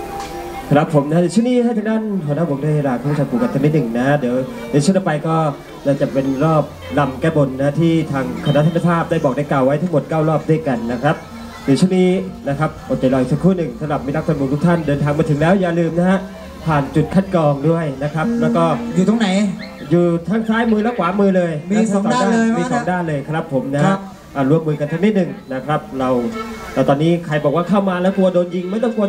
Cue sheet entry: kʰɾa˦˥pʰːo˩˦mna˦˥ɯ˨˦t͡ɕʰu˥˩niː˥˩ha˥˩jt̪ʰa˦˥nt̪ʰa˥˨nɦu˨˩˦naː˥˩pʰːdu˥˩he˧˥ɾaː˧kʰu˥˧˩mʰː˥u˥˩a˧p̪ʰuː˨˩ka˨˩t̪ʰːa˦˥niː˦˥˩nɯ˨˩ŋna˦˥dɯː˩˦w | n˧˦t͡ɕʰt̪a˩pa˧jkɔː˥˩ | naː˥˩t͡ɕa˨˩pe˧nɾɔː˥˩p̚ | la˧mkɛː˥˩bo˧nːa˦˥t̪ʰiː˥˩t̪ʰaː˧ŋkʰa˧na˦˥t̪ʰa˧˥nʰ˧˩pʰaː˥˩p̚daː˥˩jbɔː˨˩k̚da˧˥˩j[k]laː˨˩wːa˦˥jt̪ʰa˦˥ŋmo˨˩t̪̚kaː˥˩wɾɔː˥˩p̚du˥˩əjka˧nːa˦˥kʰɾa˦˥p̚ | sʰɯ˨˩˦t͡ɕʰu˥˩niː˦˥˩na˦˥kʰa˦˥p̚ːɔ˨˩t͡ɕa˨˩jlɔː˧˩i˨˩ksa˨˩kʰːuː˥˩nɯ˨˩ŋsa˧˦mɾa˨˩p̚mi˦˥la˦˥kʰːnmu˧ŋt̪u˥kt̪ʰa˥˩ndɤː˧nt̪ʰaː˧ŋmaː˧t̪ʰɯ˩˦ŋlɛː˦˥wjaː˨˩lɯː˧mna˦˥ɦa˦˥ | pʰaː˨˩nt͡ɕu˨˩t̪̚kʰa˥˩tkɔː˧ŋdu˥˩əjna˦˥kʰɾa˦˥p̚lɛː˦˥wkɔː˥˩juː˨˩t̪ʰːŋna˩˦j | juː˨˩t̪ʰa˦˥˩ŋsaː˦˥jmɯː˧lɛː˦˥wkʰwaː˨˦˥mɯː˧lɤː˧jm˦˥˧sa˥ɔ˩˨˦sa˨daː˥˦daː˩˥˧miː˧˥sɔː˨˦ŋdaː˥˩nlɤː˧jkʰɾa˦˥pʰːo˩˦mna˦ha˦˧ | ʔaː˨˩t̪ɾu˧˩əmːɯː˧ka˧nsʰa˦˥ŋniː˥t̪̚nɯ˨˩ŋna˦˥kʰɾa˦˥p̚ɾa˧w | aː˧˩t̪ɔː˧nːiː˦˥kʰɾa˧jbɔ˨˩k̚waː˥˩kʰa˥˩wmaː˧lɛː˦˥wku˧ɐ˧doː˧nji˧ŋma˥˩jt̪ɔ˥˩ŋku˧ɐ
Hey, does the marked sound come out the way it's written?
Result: yes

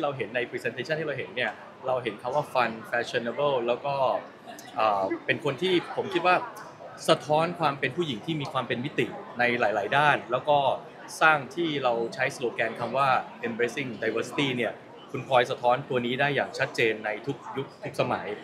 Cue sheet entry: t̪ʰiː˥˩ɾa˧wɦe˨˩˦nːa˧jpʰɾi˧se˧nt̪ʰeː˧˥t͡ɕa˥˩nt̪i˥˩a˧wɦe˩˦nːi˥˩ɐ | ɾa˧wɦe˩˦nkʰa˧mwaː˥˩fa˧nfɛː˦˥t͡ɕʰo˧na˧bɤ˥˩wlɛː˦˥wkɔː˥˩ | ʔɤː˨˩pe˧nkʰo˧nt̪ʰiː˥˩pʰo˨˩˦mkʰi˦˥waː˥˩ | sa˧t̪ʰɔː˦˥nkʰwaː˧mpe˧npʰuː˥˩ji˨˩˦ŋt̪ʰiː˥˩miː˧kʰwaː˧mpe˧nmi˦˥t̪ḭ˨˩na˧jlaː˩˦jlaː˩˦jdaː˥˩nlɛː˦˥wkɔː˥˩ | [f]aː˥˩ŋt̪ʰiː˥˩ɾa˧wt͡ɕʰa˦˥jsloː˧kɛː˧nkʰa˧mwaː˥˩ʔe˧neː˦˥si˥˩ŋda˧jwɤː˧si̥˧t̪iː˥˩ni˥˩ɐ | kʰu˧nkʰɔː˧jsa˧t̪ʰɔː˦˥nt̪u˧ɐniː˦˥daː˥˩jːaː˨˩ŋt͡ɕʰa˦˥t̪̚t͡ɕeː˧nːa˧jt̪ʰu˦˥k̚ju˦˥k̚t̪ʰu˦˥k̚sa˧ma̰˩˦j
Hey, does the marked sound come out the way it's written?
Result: no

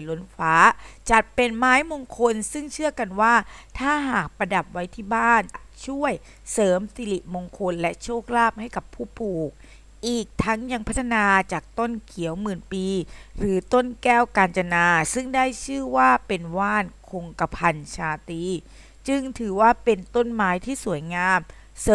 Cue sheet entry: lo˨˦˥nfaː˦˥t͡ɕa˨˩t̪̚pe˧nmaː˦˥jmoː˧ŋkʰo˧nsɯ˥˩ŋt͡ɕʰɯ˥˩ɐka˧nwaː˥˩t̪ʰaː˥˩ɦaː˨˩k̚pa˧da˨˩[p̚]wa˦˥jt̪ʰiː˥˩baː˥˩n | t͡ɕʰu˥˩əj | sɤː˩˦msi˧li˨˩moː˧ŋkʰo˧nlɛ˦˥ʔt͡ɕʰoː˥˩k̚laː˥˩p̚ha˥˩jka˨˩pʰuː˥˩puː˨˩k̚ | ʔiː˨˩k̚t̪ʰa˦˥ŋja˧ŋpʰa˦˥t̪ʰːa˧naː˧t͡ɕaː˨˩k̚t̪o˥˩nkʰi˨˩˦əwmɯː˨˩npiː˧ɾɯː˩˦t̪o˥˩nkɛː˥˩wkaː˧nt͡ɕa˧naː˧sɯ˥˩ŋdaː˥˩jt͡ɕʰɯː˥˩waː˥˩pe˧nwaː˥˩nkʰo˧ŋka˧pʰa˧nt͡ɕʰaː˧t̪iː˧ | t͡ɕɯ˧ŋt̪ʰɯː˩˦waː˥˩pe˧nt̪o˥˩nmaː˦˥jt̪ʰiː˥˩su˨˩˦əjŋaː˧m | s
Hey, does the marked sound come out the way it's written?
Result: yes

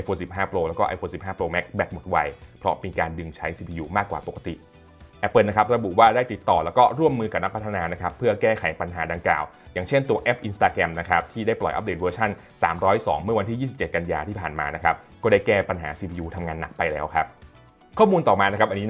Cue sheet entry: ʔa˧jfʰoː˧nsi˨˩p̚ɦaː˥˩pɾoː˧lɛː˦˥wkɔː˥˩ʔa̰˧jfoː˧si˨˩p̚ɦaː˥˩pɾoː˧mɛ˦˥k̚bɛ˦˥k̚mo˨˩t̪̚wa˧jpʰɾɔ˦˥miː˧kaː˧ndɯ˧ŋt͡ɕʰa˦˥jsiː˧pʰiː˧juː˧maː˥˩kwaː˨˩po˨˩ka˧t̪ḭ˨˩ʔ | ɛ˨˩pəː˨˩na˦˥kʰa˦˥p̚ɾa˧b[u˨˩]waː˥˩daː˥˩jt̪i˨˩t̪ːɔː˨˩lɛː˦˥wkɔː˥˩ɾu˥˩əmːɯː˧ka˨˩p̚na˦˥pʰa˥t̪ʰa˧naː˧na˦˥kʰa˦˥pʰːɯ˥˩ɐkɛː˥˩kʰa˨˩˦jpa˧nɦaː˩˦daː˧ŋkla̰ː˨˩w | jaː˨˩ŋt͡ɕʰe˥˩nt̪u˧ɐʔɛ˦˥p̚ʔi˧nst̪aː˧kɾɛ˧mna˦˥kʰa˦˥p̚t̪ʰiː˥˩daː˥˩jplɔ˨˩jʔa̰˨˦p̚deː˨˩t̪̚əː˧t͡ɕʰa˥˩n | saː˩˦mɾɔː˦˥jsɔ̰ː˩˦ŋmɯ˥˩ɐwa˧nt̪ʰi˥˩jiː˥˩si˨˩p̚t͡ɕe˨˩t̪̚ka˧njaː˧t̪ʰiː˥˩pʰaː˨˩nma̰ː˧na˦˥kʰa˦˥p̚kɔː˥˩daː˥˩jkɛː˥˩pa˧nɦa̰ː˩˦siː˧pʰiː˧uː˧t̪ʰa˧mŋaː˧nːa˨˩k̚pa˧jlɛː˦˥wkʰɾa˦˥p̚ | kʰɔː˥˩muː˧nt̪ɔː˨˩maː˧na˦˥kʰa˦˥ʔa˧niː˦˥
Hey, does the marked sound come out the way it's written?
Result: yes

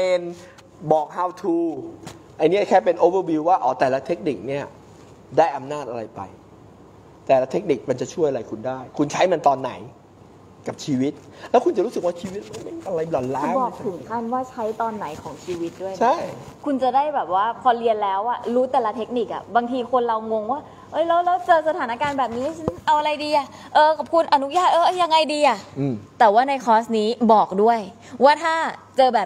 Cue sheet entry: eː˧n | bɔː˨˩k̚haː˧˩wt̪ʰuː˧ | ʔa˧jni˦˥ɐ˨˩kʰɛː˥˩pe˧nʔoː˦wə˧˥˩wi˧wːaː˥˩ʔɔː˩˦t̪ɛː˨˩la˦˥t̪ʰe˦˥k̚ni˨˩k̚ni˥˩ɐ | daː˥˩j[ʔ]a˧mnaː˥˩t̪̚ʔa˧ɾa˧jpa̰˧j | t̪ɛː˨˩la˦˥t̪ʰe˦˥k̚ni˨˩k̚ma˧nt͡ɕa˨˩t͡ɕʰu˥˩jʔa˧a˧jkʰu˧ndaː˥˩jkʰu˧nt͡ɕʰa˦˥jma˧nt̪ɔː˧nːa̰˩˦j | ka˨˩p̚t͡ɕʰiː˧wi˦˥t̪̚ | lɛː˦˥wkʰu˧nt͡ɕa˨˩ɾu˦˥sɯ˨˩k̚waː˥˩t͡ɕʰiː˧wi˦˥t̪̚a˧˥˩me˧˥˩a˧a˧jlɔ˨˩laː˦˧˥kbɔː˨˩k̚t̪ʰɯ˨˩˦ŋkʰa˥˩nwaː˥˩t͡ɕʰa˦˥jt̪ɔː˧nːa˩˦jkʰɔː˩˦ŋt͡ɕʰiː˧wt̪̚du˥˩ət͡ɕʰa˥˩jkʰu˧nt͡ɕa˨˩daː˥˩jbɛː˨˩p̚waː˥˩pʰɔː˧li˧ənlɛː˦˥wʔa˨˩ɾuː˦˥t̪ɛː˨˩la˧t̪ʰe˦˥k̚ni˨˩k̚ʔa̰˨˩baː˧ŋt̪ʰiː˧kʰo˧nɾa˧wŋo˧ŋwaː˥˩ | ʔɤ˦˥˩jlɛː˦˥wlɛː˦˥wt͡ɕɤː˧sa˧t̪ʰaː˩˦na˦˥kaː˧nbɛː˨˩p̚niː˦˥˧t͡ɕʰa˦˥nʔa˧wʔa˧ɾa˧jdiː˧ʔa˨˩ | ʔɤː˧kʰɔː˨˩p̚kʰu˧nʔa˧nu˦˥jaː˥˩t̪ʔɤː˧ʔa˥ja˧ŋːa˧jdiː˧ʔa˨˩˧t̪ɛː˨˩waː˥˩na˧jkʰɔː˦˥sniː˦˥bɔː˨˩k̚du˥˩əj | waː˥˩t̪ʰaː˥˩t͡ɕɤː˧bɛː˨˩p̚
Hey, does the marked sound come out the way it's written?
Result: yes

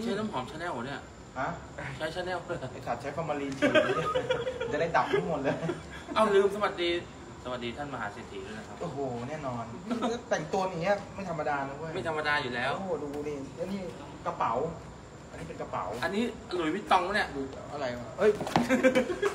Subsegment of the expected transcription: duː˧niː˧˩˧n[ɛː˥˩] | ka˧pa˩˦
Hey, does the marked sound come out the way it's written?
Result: no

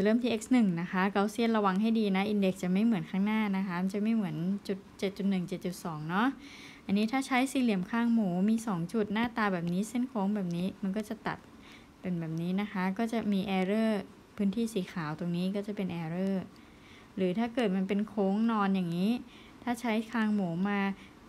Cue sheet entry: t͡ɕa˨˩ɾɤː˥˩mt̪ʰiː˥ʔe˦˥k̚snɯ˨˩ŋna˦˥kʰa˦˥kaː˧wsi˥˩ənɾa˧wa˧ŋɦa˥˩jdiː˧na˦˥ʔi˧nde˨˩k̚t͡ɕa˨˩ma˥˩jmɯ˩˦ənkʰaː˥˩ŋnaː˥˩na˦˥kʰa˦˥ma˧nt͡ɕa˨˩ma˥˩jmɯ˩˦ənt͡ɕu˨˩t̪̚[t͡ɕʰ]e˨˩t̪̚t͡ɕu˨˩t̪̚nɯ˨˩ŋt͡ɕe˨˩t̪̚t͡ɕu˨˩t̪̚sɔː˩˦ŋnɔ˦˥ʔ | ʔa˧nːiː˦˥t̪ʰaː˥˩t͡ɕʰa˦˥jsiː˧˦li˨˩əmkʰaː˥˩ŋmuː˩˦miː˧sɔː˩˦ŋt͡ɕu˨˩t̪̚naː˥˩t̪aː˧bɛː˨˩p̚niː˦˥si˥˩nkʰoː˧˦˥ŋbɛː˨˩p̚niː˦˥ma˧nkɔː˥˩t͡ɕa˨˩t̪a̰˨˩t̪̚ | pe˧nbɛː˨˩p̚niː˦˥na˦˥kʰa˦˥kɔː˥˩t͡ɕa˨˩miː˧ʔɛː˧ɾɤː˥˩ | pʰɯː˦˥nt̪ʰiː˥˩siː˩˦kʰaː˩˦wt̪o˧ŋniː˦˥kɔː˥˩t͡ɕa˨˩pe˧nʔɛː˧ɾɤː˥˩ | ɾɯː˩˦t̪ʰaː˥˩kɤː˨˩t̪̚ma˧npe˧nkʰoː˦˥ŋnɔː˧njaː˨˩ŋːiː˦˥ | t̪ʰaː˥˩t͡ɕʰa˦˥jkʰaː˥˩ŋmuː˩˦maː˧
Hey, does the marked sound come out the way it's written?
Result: no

